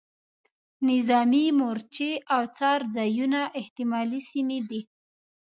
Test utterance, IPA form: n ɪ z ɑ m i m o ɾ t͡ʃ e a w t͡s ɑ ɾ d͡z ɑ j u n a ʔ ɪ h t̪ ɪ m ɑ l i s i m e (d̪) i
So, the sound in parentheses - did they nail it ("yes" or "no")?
yes